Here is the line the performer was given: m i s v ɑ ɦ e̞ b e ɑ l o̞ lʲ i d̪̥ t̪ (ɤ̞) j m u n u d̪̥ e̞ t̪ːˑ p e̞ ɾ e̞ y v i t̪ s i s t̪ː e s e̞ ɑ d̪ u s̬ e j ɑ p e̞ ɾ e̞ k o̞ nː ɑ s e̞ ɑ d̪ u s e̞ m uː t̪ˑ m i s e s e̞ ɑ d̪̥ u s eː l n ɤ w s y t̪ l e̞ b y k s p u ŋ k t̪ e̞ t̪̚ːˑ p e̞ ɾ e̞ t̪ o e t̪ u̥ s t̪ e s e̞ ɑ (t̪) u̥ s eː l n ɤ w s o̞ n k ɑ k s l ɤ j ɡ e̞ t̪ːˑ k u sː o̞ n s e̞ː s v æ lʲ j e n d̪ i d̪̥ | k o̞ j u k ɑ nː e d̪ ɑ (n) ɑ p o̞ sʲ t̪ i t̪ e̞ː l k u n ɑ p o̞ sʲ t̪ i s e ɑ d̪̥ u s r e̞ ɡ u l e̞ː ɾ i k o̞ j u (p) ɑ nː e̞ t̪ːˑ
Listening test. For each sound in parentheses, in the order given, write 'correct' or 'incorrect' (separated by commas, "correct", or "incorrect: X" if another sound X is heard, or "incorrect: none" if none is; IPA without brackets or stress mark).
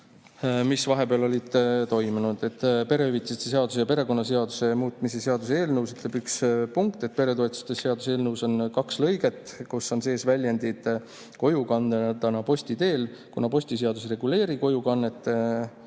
incorrect: o̞, incorrect: d̪, correct, incorrect: k